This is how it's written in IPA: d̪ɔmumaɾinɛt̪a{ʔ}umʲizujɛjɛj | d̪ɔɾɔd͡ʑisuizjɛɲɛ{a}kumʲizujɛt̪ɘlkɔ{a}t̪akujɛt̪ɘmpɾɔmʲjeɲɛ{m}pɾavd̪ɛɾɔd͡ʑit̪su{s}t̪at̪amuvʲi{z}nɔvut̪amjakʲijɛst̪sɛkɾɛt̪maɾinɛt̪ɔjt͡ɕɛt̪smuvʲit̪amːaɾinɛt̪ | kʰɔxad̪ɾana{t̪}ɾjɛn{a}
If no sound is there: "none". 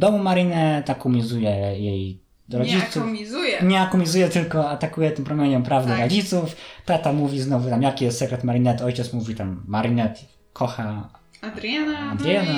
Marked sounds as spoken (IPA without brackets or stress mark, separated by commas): k, a, a, m, f, z, d̪, a